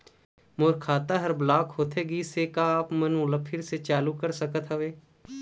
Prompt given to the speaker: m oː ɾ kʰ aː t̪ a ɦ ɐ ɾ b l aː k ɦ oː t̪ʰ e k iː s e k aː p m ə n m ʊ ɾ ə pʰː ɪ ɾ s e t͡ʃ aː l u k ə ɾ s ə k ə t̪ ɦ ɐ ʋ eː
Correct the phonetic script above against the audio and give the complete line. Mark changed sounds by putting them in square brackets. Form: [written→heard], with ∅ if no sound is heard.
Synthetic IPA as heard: m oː ɾ kʰ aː t̪ a ɦ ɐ ɾ b l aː k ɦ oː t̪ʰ e [k→ɡ] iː s e k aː p m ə n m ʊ [ɾ→l] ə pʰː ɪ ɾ s e t͡ʃ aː l u k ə ɾ s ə k ə t̪ ɦ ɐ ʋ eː